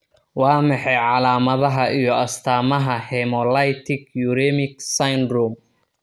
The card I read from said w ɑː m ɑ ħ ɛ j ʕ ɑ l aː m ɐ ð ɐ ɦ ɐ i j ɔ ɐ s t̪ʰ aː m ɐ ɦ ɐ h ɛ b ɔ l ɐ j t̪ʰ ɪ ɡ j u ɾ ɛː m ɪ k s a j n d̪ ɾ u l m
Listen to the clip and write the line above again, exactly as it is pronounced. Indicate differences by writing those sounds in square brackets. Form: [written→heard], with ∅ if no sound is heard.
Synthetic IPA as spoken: w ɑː m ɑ ħ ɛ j ʕ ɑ l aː m ɐ ð ɐ ɦ ɐ i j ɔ ɐ s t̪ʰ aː m ɐ ɦ ɐ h ɛ [b→m] ɔ l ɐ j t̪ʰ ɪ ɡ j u ɾ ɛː m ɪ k s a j n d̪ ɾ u [l→∅] m